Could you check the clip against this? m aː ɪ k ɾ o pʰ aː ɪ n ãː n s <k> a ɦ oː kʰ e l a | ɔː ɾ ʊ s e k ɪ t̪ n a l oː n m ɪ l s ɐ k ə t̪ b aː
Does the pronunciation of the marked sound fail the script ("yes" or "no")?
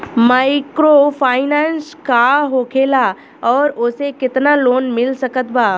no